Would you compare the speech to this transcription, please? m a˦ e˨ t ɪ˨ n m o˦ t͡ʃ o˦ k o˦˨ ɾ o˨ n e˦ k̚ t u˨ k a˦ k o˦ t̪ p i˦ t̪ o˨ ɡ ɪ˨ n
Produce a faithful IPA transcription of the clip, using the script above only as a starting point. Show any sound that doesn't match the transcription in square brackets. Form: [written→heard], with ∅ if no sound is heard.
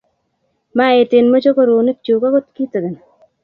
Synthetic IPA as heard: m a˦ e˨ t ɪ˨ n m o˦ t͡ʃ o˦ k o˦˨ ɾ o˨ n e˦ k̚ [t→t͡ʃ] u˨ k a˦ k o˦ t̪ [p→k] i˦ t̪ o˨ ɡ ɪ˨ n